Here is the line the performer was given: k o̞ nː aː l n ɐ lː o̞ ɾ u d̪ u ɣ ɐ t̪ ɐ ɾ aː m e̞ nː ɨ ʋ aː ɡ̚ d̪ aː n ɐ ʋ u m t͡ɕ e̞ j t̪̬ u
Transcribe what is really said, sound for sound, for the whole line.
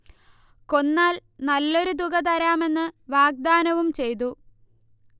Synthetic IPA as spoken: k o̞ nː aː l n ɐ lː o̞ ɾ u d̪ u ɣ ɐ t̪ ɐ ɾ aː m e̞ nː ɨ ʋ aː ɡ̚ d̪ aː n ɐ ʋ u m t͡ɕ e̞ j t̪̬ u